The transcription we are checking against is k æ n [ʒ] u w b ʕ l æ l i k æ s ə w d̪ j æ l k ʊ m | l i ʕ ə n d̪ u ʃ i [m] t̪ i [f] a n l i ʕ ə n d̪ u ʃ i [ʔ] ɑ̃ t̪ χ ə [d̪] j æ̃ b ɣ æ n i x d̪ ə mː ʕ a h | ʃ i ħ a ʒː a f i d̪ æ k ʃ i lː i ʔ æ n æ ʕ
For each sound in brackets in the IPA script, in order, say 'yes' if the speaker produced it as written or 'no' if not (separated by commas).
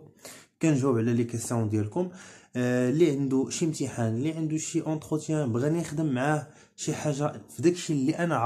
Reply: yes, yes, no, yes, no